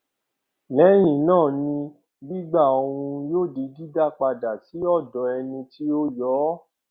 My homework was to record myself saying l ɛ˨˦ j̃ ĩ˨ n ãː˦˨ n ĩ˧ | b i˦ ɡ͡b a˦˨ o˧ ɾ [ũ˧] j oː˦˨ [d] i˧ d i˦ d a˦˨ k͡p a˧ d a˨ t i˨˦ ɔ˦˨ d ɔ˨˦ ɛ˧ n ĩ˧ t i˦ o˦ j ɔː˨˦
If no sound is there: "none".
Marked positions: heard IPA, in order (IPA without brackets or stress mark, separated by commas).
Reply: ũ˧, d